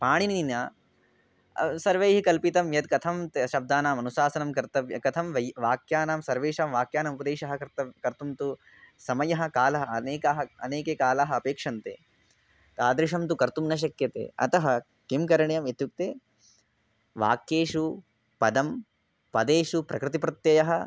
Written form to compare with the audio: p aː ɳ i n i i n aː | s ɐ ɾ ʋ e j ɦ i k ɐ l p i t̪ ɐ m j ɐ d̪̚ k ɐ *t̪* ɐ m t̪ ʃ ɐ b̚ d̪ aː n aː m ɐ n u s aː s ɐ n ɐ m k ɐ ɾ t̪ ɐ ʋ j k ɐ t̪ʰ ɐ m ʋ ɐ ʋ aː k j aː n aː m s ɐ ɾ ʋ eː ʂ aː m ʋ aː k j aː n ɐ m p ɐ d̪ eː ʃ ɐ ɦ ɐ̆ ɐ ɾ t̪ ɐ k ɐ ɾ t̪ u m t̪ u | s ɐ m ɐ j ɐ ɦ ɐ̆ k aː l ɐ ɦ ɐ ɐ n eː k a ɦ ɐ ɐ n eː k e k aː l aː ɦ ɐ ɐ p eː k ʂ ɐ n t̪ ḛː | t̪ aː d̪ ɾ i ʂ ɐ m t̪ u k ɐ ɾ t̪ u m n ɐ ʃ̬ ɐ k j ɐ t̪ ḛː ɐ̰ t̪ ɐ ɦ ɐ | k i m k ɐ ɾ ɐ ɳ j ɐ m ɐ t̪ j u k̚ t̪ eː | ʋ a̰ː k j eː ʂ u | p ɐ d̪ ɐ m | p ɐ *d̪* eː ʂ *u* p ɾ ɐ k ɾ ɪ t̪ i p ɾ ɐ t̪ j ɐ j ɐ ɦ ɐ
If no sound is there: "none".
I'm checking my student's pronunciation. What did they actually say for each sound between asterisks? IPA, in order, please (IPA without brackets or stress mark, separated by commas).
t̪ʰ, d̪, u